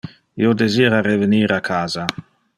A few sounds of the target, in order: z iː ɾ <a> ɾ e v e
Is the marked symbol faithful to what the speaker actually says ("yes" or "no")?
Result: yes